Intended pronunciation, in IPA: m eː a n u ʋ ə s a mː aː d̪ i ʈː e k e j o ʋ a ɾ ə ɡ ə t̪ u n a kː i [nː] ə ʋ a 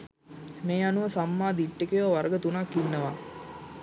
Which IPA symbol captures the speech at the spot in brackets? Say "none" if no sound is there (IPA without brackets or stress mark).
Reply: nː